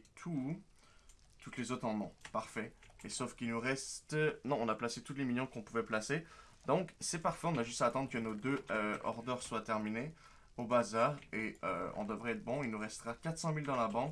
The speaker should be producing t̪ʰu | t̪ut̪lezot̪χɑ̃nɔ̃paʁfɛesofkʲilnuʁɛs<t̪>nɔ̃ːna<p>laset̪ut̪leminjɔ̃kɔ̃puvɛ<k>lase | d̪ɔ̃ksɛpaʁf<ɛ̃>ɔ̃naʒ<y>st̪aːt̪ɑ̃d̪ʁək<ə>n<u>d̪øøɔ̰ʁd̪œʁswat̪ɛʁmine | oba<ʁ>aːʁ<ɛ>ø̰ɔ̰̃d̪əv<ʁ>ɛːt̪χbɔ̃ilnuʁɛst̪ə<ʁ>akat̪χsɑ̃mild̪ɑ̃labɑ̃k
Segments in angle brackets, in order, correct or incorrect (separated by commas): correct, correct, incorrect, incorrect, correct, correct, incorrect, incorrect, incorrect, correct, correct